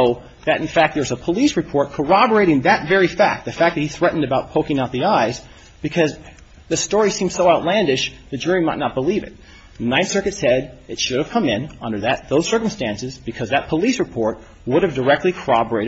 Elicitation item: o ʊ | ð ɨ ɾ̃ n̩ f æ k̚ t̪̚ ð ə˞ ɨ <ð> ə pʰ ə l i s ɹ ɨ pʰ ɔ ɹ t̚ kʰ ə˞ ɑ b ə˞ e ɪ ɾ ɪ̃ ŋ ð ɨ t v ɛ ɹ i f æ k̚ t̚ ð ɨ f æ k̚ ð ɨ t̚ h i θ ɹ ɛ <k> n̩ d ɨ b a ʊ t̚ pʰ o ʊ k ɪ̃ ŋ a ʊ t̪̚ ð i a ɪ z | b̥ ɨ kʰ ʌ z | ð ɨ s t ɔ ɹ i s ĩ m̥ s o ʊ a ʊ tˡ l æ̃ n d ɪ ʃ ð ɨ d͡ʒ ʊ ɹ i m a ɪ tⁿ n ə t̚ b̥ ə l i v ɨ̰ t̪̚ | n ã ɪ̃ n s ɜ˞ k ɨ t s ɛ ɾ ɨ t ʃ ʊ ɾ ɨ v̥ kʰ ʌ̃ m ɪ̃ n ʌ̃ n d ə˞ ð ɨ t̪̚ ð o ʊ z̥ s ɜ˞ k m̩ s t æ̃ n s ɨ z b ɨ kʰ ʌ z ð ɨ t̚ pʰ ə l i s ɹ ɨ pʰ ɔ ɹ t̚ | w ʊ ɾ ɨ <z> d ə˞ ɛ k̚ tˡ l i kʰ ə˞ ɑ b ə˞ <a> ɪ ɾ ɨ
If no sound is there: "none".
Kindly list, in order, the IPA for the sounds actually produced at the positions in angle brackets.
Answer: z, ʔ, v, e

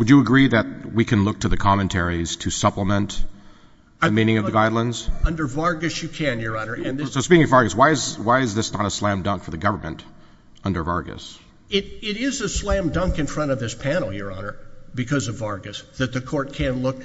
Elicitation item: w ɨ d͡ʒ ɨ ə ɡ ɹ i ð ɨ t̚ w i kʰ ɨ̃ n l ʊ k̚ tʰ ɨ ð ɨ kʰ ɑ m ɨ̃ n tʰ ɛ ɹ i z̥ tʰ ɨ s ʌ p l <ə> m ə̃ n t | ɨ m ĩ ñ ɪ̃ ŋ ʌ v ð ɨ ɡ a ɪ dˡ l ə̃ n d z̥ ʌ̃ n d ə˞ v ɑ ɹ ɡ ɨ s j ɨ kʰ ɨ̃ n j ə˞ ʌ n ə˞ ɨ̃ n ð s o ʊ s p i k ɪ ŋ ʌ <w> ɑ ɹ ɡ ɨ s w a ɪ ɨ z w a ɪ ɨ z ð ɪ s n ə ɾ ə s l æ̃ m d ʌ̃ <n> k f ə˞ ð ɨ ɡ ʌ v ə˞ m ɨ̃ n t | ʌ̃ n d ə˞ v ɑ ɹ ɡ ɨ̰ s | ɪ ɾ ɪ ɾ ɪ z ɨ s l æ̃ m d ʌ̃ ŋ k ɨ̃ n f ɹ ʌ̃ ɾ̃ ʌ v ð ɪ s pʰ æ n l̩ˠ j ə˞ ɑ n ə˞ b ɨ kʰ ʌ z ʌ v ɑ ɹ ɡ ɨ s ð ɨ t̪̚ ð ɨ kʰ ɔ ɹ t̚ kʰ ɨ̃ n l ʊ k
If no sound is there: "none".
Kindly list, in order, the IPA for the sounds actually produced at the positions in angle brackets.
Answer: ə, v, ŋ

